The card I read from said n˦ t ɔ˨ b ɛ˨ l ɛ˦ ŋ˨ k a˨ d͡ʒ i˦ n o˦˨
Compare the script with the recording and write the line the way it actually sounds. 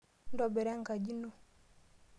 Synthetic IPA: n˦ d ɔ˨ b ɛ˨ ɾ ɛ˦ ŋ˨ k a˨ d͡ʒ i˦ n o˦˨